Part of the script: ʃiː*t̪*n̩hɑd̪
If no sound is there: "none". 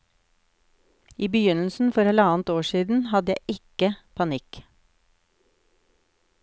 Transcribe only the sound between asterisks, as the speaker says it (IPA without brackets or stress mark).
d̪